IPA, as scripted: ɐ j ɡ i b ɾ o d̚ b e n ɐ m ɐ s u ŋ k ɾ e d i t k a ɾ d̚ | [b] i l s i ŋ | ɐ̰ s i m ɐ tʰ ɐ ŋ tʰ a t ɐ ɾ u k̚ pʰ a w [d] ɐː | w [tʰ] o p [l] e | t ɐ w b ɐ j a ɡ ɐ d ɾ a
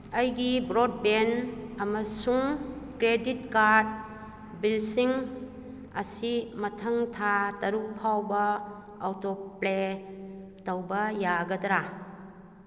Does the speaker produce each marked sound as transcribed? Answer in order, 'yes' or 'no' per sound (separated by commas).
yes, no, no, yes